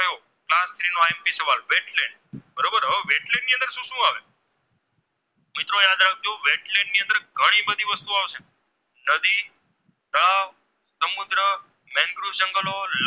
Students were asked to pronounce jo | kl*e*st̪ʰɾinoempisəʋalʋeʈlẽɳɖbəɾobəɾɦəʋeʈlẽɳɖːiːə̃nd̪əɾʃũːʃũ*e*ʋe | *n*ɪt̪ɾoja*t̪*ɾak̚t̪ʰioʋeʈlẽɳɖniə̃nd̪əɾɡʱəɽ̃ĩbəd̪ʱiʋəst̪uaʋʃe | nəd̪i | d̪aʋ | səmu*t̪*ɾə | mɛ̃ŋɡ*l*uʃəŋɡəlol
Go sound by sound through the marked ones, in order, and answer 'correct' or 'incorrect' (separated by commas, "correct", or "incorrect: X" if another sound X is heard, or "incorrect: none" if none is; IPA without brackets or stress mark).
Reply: incorrect: a, incorrect: a, incorrect: m, incorrect: d̪, incorrect: d̪, incorrect: ɾ